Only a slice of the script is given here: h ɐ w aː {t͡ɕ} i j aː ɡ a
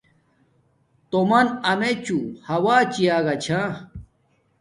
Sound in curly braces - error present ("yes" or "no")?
no